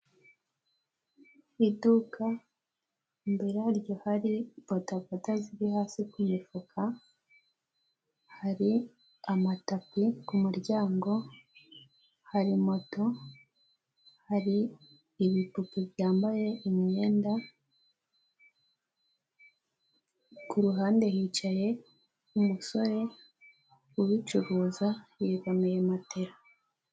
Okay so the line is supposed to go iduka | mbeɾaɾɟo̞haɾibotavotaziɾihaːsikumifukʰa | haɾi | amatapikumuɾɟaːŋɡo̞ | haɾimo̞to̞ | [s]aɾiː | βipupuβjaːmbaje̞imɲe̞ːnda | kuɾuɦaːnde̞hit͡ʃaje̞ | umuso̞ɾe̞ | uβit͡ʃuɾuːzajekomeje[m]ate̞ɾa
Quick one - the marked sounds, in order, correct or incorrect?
incorrect: h, correct

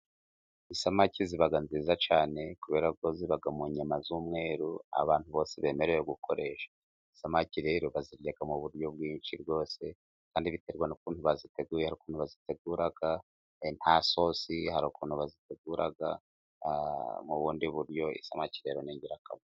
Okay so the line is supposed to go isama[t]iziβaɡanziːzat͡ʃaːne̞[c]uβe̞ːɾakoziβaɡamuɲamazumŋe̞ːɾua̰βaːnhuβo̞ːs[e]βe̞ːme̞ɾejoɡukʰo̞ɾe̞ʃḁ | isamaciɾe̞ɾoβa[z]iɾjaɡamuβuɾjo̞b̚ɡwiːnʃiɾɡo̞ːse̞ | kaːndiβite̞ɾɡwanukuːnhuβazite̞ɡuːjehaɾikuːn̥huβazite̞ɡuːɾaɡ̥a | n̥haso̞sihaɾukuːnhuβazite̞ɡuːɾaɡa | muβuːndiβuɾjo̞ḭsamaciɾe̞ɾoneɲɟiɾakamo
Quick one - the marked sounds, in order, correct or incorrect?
incorrect: c, incorrect: k, correct, correct

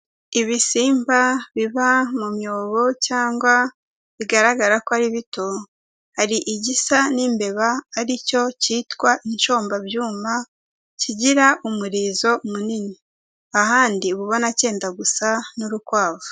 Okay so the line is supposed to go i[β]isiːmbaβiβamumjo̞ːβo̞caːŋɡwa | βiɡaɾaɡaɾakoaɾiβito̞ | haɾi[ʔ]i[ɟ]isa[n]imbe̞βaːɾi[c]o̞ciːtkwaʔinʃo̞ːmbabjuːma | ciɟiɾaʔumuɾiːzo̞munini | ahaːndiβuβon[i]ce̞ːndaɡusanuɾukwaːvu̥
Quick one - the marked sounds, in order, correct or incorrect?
correct, correct, correct, correct, correct, incorrect: a

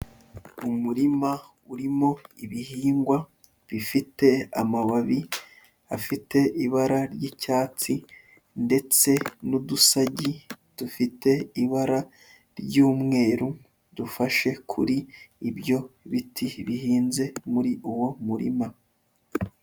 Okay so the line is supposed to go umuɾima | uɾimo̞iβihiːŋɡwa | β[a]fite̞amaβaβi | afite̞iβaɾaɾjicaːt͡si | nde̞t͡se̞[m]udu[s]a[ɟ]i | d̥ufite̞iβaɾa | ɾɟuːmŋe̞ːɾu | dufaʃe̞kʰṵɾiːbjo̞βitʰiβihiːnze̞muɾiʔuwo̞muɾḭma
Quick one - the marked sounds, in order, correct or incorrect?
incorrect: i, incorrect: n, correct, correct

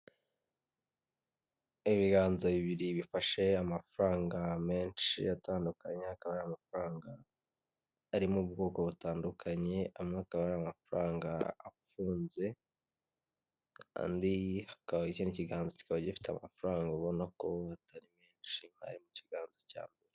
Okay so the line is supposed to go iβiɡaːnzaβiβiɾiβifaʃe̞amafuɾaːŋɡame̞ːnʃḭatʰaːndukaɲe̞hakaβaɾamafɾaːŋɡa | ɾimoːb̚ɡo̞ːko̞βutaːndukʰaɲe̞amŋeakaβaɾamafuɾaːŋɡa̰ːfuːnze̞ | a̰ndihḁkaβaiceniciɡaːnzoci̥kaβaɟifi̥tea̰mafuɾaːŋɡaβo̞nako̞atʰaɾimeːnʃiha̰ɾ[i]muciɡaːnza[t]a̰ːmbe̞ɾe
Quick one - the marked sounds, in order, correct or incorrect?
correct, incorrect: c

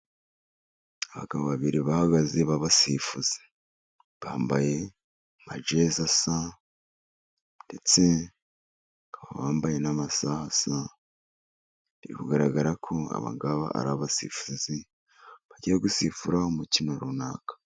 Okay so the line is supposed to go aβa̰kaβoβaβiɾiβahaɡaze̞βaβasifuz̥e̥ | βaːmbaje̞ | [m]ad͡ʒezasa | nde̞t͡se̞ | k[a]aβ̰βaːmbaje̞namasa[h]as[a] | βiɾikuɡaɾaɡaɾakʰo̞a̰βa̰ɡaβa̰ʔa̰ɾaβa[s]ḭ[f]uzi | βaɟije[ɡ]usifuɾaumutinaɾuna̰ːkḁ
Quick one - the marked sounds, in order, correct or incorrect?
correct, correct, correct, correct, correct, correct, correct

